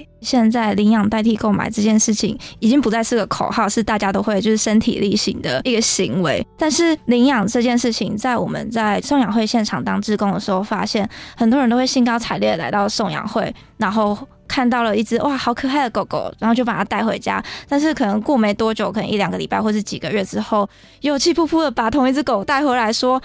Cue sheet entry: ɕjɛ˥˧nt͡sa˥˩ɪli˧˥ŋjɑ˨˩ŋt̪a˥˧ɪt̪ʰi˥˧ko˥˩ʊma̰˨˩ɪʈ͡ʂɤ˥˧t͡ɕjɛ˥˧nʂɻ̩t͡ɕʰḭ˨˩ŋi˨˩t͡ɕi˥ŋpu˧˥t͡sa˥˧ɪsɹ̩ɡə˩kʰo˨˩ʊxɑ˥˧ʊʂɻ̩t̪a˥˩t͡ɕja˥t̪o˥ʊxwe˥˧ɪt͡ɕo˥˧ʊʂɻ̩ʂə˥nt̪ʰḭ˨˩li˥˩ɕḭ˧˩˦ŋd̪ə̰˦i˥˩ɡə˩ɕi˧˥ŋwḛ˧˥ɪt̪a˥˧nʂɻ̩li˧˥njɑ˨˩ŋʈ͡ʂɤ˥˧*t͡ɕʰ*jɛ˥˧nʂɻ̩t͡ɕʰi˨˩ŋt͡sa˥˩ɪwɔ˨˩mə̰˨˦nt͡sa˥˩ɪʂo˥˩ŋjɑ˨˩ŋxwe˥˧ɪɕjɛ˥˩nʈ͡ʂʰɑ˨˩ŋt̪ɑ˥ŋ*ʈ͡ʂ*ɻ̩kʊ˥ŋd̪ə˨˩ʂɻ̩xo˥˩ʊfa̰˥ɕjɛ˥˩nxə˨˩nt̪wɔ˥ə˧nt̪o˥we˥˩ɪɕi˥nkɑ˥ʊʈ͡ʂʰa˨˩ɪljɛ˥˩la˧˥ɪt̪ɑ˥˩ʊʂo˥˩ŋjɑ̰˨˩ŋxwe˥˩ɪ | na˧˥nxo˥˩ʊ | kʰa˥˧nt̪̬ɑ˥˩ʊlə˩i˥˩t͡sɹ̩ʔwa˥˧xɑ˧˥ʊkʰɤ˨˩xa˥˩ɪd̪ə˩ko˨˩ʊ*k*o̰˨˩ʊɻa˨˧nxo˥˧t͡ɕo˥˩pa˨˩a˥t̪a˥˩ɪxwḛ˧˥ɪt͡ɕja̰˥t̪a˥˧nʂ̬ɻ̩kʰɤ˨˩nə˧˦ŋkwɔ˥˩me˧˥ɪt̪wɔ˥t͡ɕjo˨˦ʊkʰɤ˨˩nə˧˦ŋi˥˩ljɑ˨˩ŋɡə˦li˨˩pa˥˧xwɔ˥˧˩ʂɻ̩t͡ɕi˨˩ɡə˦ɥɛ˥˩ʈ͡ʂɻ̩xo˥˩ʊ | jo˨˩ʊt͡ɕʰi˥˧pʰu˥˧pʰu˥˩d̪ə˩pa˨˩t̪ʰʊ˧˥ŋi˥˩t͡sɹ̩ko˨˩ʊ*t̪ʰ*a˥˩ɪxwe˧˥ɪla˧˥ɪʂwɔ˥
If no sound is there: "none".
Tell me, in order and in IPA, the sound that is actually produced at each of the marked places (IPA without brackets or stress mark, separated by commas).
t͡ɕ, ʈ͡ʂ, k, t̪